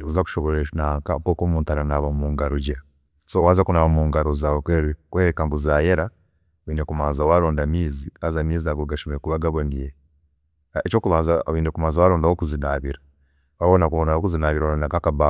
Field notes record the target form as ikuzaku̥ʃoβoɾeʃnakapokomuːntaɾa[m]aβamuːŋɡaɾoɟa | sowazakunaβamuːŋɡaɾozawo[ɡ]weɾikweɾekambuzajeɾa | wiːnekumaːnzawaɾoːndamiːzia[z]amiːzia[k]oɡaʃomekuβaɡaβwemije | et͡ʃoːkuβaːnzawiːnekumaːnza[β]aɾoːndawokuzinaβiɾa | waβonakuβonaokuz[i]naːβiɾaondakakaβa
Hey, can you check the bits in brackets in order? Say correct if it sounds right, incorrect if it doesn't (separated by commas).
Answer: incorrect, incorrect, correct, incorrect, incorrect, correct